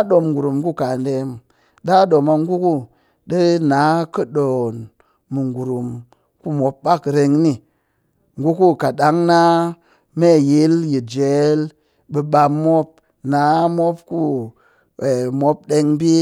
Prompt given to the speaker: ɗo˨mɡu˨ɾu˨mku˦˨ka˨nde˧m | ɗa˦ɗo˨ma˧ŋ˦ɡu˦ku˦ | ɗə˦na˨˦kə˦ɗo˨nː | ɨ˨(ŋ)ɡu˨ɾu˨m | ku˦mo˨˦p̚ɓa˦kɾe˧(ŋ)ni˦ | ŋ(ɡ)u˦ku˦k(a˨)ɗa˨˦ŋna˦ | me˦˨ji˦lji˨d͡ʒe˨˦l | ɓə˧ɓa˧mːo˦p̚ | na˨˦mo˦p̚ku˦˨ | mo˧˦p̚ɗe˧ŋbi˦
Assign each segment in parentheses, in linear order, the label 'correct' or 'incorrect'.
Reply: correct, correct, correct, correct

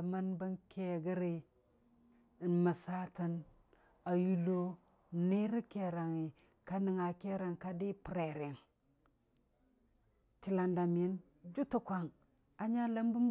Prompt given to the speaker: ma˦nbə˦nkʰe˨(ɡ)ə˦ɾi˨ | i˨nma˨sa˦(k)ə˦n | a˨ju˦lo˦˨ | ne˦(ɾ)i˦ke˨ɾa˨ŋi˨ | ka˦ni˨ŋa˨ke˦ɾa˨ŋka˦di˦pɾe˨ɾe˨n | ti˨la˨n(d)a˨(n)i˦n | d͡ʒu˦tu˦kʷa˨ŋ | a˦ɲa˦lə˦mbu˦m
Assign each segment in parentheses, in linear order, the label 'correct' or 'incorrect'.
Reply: correct, incorrect, correct, correct, incorrect

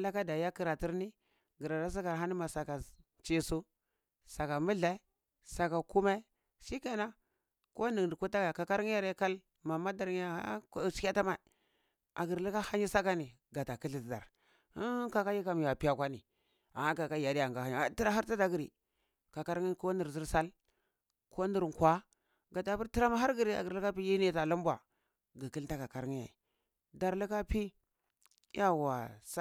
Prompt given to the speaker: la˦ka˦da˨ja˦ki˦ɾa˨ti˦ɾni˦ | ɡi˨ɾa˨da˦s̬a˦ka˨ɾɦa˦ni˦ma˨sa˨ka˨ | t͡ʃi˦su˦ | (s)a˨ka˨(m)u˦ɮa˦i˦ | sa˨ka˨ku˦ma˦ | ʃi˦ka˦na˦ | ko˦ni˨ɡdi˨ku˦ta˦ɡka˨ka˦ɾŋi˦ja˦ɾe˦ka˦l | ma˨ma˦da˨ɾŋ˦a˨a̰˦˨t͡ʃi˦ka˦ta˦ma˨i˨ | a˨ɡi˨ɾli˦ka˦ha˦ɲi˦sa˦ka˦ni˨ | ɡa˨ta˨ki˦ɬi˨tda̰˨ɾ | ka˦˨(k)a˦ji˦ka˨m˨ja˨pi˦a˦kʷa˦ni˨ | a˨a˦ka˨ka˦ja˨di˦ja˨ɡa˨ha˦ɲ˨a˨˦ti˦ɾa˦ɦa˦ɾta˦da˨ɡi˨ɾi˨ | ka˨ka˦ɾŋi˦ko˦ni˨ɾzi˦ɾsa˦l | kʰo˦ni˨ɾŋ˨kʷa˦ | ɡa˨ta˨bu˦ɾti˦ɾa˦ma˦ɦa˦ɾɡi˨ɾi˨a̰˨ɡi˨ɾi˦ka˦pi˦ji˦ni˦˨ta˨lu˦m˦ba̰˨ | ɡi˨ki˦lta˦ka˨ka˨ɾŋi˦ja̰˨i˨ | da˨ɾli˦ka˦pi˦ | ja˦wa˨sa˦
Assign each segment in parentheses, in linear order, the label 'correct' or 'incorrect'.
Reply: correct, correct, correct

